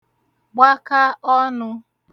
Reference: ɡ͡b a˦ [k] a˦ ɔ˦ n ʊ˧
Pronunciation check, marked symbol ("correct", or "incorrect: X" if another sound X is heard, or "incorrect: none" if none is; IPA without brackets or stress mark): correct